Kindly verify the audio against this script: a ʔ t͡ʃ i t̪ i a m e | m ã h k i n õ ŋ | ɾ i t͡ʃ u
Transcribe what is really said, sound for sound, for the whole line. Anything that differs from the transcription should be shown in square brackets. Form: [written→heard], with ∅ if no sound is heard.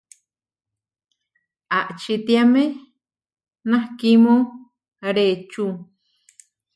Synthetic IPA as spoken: a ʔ t͡ʃ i t̪ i a m e | [m→n] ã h k i [n→m] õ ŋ | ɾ [i→e] t͡ʃ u